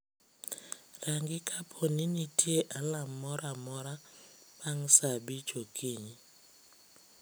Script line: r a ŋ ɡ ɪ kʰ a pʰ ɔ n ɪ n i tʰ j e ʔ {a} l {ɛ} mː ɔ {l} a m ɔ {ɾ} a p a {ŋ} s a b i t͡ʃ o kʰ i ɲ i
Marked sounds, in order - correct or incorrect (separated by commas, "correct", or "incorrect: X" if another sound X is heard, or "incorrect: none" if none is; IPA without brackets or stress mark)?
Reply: correct, incorrect: a, incorrect: ɾ, correct, correct